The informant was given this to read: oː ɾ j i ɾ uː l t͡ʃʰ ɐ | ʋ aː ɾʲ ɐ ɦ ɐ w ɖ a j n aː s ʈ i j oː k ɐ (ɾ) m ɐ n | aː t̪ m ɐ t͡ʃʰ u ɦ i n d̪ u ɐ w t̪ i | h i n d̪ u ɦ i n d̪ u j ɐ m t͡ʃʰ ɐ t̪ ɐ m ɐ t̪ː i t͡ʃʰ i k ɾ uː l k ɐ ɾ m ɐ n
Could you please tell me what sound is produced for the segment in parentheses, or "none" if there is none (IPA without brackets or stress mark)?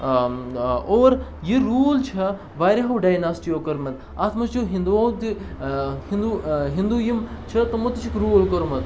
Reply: ɾ